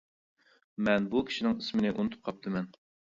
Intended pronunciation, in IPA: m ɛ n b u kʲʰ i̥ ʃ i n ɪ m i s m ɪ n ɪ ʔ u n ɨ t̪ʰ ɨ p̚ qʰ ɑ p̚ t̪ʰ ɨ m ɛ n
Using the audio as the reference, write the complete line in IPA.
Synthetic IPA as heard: m ɛ n b u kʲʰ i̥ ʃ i n ɪ ŋ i s m ɪ n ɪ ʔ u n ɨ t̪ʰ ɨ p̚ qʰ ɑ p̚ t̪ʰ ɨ m ɛ n